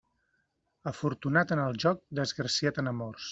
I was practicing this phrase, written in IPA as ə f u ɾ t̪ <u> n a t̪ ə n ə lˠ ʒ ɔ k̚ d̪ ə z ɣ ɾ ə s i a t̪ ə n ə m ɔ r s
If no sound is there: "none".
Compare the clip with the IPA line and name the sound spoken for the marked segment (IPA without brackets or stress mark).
u